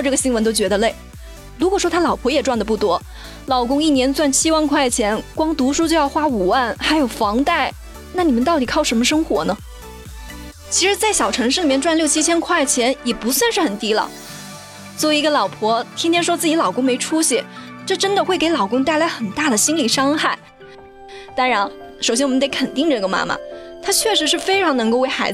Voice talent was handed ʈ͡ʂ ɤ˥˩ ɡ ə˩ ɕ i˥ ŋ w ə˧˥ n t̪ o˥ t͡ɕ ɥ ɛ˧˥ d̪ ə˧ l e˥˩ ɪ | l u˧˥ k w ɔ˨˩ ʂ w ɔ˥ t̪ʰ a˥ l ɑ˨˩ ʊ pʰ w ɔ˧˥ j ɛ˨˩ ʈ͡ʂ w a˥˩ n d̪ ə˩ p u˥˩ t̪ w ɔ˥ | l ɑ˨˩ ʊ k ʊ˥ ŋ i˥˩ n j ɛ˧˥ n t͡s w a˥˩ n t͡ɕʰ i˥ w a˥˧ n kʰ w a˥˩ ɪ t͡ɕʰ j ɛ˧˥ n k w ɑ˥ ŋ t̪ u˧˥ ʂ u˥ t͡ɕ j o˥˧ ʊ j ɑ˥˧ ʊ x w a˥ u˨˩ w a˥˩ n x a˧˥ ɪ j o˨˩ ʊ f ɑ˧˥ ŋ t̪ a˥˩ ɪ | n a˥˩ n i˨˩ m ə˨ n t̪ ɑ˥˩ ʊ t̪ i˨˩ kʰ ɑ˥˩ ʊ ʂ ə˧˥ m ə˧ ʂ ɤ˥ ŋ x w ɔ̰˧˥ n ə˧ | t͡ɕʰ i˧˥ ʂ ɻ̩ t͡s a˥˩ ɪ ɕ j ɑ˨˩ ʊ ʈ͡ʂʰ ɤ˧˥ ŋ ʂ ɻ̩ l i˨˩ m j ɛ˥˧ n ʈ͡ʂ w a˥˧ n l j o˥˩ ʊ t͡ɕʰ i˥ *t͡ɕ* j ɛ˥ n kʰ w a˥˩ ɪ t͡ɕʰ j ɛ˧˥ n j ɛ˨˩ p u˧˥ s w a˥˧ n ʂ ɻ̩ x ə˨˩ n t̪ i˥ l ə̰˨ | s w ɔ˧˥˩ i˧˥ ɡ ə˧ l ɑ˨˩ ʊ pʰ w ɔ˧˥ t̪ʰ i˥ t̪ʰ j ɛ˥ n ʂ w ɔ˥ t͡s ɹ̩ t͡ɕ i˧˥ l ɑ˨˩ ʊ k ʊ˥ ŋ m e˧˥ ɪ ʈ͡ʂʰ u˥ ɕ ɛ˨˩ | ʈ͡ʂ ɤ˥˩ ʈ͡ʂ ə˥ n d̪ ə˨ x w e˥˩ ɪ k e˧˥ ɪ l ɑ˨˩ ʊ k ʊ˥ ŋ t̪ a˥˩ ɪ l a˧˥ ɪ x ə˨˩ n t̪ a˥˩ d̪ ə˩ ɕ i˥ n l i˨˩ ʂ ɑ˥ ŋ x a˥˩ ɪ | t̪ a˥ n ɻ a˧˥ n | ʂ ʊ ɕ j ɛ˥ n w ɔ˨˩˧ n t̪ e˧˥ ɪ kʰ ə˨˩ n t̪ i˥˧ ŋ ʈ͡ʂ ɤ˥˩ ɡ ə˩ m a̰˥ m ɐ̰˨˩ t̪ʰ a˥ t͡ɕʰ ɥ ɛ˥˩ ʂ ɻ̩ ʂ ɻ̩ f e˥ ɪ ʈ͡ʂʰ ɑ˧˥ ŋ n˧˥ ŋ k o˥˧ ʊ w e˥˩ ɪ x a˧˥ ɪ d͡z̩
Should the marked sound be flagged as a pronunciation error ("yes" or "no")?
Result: yes